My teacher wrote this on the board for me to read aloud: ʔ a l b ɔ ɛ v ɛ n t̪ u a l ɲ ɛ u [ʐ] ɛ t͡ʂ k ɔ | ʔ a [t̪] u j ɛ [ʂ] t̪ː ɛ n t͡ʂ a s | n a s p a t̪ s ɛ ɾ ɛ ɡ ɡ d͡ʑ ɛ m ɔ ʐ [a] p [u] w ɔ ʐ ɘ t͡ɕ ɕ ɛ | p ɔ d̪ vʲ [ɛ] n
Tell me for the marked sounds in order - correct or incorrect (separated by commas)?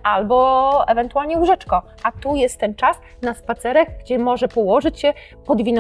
correct, correct, incorrect, incorrect, incorrect, incorrect